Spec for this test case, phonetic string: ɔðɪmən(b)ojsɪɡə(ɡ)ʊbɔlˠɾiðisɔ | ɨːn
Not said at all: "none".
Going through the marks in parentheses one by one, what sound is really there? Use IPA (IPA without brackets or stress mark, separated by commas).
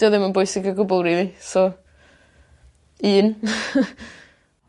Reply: b, ɡ